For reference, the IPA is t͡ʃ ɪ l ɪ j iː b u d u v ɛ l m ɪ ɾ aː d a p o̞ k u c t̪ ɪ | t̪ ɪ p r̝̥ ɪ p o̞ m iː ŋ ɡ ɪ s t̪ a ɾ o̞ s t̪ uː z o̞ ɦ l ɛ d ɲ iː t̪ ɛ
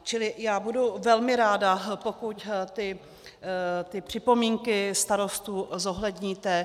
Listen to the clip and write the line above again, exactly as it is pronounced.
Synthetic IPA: t͡ʃ ɪ l ɪ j aː b u d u v ɛ l m ɪ ɾ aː d a p o̞ k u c t̪ ɪ | t̪ ɪ p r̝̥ ɪ p o̞ m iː ŋ k ɪ s t̪ a ɾ o̞ s t̪ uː z o̞ ɦ l ɛ d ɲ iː t̪ ɛ